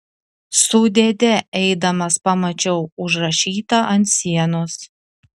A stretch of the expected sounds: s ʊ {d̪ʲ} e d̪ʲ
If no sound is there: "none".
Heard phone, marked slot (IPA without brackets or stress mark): d̪ʲ